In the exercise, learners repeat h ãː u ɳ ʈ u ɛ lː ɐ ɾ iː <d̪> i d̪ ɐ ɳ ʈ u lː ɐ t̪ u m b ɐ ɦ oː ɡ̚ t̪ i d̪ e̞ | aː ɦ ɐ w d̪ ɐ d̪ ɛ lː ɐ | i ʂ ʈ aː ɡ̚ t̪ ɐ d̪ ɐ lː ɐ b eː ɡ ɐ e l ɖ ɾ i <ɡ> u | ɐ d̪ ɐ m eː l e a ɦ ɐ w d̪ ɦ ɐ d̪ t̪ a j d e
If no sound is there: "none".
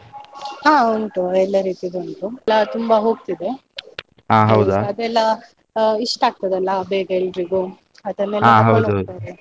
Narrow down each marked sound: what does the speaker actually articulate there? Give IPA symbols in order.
t̪, ɡ

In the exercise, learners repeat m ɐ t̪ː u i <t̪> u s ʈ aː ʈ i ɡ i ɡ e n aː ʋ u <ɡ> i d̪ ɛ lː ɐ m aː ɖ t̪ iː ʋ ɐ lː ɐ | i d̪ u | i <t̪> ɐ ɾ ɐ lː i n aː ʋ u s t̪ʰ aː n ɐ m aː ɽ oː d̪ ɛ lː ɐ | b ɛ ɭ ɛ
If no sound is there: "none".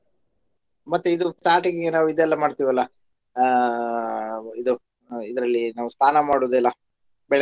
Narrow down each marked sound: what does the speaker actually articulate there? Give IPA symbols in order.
d̪, none, d̪

